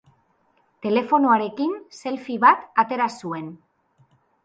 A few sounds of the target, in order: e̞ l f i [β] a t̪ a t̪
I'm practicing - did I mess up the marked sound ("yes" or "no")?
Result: no